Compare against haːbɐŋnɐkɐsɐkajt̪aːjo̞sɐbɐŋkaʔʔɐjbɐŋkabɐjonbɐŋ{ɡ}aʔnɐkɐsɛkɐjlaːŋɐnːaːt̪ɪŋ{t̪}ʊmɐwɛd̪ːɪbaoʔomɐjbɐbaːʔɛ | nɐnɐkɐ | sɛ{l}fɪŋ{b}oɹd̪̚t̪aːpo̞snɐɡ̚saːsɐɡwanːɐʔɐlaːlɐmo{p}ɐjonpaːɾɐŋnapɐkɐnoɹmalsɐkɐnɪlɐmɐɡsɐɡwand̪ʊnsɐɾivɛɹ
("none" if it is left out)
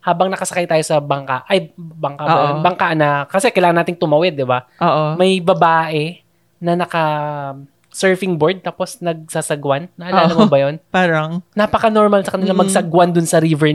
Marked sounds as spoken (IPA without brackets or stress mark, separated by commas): k, t̪, ɹ, b, b